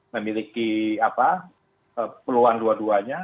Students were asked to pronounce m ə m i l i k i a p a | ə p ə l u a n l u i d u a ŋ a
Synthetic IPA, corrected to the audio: m ə m i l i k i a p a | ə p ə l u a n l u a d u a ɲ a